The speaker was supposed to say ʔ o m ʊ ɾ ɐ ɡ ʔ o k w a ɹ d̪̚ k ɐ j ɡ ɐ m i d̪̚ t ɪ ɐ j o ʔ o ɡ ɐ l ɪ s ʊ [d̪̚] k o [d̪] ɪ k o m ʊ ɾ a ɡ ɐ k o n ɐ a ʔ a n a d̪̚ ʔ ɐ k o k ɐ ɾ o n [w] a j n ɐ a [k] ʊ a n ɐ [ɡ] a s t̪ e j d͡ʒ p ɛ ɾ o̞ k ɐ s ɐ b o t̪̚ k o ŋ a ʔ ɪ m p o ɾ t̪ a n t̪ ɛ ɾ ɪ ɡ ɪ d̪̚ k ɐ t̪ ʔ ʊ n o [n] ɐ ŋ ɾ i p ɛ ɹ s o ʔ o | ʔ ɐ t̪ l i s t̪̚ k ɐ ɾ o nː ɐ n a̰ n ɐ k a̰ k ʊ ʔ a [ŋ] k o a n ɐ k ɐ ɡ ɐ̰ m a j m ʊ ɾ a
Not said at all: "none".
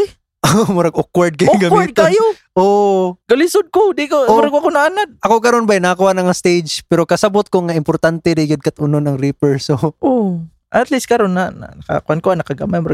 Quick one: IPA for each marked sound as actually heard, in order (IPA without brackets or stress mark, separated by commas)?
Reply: d̪̚, d̪, b, k, ŋ, n, n